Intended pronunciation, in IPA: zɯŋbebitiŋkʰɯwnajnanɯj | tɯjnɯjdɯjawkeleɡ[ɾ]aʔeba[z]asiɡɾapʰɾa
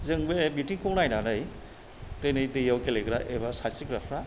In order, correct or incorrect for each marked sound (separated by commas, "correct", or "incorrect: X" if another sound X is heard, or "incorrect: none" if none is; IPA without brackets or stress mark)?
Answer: correct, incorrect: s